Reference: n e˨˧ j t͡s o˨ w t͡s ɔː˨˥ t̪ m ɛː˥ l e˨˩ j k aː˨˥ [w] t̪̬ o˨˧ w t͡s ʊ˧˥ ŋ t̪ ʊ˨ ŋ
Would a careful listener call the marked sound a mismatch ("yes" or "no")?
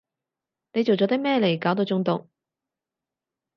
no